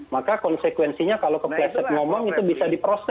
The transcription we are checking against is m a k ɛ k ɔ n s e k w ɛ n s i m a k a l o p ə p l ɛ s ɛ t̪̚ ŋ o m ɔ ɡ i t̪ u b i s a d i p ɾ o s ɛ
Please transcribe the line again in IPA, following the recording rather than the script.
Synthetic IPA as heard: m a k a k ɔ n s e k w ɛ n s i ɲ a k a l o k ə p l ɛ s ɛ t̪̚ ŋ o m ɔ ŋ i t̪ u b i s a d i p ɾ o s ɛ